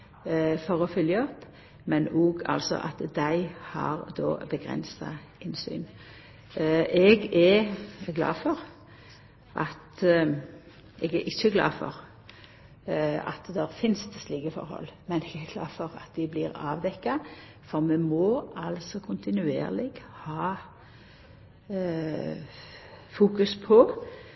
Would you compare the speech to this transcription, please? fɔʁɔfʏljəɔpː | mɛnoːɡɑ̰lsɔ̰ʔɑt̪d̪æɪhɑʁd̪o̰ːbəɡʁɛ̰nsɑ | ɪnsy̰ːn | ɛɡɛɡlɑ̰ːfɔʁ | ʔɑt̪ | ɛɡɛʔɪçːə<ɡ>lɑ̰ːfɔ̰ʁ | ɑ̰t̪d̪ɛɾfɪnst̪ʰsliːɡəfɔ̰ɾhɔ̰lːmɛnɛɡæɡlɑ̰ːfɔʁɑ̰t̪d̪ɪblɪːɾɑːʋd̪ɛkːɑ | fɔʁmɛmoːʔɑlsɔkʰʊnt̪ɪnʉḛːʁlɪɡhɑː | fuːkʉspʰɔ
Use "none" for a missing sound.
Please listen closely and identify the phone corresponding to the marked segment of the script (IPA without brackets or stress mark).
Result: ɡ